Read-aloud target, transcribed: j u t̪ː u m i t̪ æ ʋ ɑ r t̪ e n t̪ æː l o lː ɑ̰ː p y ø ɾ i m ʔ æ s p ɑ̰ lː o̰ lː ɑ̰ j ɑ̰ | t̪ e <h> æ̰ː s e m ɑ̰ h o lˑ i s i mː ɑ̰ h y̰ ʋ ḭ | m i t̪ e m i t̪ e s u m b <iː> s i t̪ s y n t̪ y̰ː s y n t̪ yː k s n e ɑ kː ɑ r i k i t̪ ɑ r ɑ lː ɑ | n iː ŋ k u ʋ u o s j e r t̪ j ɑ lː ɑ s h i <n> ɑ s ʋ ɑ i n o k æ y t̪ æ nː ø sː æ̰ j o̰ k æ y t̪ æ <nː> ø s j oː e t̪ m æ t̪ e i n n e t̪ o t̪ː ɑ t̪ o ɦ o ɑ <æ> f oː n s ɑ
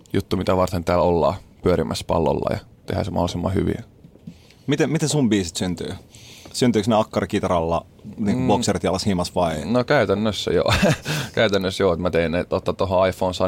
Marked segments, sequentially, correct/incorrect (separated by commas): correct, correct, incorrect, correct, incorrect